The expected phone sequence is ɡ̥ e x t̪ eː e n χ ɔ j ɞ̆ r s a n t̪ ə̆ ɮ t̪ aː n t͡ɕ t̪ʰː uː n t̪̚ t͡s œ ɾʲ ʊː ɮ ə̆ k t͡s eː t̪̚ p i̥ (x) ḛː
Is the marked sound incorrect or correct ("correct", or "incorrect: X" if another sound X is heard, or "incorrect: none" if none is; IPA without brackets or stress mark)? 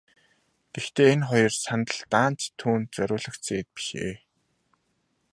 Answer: incorrect: ʃ